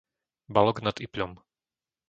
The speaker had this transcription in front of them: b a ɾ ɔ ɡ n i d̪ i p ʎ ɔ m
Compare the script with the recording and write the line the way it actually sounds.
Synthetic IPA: b a l ɔ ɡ n a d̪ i p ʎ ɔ m